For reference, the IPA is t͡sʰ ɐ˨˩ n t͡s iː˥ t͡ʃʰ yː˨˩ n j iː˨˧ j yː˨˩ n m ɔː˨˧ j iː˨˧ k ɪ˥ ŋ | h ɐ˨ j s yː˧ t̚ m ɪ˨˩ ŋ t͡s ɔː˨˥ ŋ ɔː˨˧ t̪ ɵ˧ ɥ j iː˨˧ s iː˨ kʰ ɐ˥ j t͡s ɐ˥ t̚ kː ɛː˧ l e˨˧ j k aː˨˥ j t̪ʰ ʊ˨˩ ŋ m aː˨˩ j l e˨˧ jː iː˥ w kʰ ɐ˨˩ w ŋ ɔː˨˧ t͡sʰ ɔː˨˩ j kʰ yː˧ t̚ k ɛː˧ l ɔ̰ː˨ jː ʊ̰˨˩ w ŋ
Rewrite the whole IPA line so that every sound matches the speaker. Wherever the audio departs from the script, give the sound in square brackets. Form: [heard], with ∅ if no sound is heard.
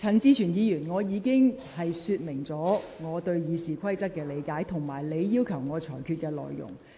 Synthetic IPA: t͡sʰ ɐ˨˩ n t͡s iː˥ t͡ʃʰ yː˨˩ n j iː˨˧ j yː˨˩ n [ŋ] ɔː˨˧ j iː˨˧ k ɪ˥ ŋ | h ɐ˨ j s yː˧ t̚ m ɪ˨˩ ŋ t͡s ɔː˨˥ ŋ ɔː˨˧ t̪ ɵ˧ ɥ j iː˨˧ s iː˨ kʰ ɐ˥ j t͡s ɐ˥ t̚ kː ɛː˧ l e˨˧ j k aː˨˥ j t̪ʰ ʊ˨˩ ŋ m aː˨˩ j l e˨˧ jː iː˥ w kʰ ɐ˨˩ w ŋ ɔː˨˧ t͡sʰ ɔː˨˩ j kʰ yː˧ t̚ k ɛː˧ l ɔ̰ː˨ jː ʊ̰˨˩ [∅] ŋ